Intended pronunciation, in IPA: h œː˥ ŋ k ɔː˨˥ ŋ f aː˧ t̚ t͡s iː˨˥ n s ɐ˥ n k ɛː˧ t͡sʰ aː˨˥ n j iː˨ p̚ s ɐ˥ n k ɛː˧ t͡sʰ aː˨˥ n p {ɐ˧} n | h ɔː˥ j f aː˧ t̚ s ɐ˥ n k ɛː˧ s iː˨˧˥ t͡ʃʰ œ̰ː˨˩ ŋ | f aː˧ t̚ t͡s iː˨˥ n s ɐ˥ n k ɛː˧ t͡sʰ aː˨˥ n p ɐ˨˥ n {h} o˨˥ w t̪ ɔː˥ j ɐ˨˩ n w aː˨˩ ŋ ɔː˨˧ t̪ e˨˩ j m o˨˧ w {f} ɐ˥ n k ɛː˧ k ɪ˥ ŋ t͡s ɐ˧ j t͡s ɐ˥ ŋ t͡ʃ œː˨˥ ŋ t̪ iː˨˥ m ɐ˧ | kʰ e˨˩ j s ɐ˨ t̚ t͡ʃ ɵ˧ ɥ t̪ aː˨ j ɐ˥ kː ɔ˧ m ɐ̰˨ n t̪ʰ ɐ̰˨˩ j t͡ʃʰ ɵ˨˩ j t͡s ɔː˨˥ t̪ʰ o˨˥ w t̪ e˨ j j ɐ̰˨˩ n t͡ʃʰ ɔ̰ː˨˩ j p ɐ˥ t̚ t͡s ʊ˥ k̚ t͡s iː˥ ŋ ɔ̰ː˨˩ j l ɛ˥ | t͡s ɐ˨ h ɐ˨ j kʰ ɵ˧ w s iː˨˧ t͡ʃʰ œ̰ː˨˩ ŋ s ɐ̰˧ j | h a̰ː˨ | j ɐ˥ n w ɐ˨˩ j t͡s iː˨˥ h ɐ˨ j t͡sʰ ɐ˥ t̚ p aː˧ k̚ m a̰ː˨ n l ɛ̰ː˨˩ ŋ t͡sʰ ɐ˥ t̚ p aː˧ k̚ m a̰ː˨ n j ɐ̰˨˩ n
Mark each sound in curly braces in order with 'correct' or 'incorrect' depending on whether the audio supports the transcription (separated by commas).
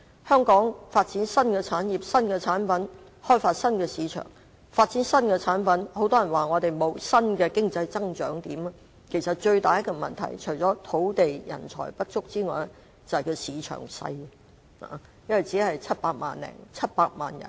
incorrect, correct, incorrect